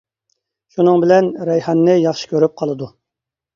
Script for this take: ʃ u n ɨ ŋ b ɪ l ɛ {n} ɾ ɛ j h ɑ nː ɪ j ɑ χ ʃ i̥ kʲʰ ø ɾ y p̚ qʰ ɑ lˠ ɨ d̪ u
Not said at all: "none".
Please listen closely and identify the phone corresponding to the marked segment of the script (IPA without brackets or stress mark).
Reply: n